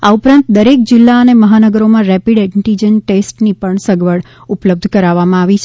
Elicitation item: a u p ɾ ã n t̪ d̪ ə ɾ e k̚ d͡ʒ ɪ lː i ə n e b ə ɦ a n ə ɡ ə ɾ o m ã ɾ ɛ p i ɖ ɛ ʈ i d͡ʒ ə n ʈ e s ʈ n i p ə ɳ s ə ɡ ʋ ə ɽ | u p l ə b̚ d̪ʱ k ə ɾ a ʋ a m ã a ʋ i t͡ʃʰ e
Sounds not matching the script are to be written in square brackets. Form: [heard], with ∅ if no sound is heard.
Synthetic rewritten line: a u p ɾ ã n t̪ d̪ ə ɾ e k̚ d͡ʒ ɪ lː [a] ə n e [m] ə ɦ a n ə ɡ ə ɾ o m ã ɾ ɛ p i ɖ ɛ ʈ i d͡ʒ ə n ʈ e s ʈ n i p ə ɳ s ə ɡ ʋ ə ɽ | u p l ə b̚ d̪ʱ k ə ɾ a ʋ a m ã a ʋ i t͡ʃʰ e